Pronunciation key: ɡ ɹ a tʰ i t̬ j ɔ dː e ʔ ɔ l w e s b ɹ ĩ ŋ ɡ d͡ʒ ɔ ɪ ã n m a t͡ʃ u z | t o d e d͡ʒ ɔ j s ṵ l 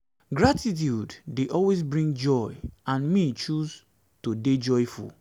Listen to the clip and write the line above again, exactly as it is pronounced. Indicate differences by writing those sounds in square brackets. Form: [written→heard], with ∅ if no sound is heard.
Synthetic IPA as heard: ɡ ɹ a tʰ i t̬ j [ɔ→u] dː e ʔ ɔ l w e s b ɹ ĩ ŋ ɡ d͡ʒ ɔ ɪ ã n m [a→i] t͡ʃ u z | t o d e d͡ʒ ɔ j [s→f] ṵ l